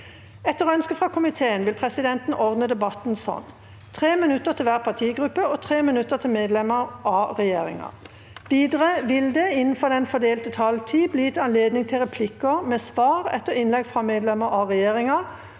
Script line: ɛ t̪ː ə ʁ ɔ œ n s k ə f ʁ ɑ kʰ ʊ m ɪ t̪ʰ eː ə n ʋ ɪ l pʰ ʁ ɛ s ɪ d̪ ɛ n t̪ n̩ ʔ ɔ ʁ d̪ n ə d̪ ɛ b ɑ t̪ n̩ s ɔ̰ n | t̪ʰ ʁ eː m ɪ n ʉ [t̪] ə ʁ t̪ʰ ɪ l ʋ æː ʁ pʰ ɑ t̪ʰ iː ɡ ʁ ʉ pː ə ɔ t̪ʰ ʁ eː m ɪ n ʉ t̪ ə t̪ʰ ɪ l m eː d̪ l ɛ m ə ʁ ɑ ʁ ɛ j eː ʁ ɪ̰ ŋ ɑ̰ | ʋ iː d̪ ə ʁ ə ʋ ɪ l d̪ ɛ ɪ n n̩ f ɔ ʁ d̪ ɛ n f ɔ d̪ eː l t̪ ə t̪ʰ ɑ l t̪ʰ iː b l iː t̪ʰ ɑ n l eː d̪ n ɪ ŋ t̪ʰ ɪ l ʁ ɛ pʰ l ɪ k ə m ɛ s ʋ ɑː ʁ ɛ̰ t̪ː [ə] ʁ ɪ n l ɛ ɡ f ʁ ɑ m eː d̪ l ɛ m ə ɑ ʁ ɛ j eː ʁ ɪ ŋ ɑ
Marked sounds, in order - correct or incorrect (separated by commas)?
correct, correct